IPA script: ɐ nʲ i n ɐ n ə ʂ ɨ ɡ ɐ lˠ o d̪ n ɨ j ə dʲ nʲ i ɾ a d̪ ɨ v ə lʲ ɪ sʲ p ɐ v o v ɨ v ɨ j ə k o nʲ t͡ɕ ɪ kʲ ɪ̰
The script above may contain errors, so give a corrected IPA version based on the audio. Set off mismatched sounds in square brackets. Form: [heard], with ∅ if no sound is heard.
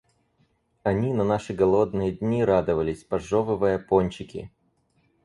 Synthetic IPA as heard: ɐ nʲ i n ɐ n [a] ʂ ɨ ɡ ɐ lˠ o d̪ n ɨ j ə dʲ nʲ i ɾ a d̪ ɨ v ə lʲ ɪ sʲ p ɐ [ʐ] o v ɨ v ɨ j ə [p] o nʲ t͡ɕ ɪ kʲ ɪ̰